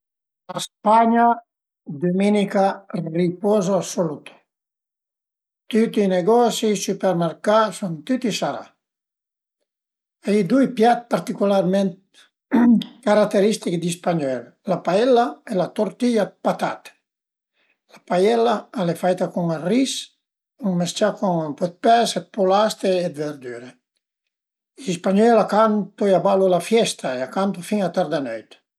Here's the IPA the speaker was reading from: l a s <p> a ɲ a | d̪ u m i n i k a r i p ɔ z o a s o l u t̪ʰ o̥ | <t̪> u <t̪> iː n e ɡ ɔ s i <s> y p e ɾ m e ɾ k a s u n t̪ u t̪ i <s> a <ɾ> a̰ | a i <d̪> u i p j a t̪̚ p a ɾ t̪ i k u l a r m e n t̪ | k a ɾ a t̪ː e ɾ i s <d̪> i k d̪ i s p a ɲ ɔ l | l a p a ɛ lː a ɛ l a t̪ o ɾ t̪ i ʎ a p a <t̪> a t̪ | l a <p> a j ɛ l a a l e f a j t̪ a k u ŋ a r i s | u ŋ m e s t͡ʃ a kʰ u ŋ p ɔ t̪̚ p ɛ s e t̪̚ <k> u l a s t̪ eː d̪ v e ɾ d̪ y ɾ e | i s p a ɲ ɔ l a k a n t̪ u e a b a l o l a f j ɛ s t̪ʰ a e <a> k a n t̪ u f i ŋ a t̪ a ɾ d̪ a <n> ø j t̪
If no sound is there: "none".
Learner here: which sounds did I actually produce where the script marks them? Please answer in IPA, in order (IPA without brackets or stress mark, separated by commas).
p, t̪, t̪, s, s, ɾ, d̪, t̪, t̪, p, p, a, n